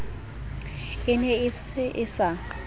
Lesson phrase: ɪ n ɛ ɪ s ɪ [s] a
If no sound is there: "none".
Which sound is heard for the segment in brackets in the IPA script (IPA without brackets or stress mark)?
s